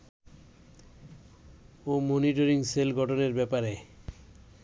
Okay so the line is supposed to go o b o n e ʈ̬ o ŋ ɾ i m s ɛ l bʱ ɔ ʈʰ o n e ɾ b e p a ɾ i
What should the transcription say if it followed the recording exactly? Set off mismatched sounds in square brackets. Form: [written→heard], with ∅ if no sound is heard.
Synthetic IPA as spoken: o [b→m] o n [e→i] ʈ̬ o [ŋ→∅] ɾ i [m→ŋ] s [ɛ→e] l [bʱ→ɡʱ] ɔ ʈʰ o n e ɾ b [e→ɛ] p a ɾ [i→e]